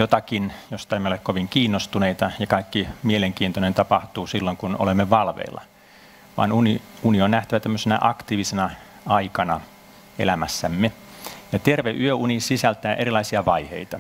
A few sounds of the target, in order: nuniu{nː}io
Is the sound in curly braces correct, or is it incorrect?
incorrect